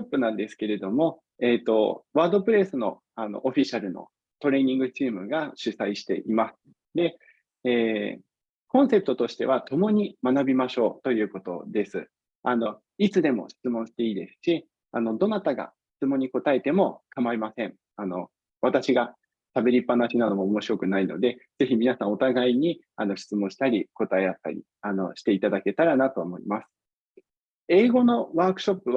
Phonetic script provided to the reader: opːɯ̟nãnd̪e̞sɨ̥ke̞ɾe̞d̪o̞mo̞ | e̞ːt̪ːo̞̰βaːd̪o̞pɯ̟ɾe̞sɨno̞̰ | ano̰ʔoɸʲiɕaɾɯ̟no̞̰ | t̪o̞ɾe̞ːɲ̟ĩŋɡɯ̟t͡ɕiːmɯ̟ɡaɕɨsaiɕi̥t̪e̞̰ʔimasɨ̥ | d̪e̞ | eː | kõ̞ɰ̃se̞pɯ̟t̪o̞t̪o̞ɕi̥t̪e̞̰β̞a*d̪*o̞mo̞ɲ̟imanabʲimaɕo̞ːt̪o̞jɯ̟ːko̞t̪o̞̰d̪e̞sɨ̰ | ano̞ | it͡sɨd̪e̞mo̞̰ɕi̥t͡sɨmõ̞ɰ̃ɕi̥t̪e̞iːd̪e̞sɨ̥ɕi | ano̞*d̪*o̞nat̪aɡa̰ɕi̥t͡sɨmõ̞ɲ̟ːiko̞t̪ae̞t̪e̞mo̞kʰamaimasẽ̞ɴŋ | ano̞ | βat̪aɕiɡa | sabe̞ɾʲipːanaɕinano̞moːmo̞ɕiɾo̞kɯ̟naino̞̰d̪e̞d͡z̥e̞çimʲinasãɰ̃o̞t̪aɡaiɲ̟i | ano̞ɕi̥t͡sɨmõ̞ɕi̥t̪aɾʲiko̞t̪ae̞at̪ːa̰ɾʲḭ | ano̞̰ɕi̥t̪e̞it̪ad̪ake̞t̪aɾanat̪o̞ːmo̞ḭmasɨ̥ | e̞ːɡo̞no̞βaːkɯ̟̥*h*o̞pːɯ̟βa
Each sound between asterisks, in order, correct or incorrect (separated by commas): incorrect, correct, incorrect